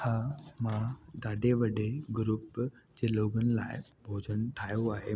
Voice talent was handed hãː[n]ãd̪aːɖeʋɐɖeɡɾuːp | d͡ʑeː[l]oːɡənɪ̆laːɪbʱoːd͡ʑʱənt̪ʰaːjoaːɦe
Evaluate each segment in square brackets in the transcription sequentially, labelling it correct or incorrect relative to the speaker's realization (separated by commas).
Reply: incorrect, correct